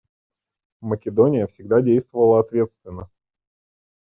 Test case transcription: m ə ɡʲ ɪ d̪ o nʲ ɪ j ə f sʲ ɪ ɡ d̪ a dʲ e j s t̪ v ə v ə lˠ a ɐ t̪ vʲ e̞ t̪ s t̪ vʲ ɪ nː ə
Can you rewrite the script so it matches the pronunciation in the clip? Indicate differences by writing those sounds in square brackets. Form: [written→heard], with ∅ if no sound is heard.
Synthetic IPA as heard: m ə [ɡʲ→kʲ] ɪ d̪ o nʲ ɪ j ə f sʲ ɪ ɡ d̪ a dʲ e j s t̪ v ə v ə lˠ [a→ə] ɐ t̪ vʲ e̞ t̪ s t̪ vʲ ɪ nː ə